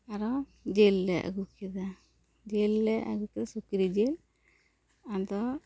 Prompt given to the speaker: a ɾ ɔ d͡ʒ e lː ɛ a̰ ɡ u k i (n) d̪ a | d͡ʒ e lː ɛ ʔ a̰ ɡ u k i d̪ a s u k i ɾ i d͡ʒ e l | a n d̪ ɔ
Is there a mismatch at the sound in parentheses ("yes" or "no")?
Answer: yes